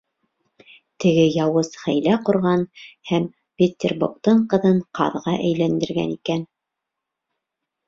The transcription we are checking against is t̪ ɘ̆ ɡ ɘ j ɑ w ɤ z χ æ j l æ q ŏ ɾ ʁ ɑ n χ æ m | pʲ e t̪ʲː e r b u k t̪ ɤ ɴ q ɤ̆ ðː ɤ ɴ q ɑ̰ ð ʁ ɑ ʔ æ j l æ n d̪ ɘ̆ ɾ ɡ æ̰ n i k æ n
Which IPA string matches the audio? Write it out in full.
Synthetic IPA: t̪ ɘ̆ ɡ ɘ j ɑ w ɤ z χ æ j l æ q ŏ ɾ ʁ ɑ n h æ m | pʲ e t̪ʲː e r b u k t̪ ɤ ɴ q ɤ̆ ð ɤ ɴ q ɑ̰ ð ʁ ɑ ʔ æ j l æ n d̪ ɘ̆ ɾ ɡ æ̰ n i k æ n